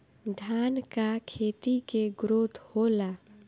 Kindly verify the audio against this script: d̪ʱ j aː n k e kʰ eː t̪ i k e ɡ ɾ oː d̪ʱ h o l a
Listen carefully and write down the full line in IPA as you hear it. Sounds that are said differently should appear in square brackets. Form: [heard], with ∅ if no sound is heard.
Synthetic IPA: d̪ʱ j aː n k [a] kʰ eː t̪ i k e ɡ ɾ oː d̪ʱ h o l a

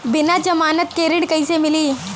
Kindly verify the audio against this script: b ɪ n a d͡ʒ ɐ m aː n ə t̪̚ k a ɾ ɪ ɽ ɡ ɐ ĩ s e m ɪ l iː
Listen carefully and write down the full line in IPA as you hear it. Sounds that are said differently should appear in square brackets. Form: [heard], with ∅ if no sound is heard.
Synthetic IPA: b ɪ n a d͡ʒ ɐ m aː n ə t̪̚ k [e] ɾ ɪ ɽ [k] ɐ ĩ s e m ɪ l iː

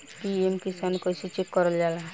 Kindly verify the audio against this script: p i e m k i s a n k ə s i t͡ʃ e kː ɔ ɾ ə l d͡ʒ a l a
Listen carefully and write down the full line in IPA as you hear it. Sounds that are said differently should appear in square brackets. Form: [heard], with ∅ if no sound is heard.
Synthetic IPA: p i e m k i s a n k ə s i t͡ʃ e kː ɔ ɾ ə l d͡ʒ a l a

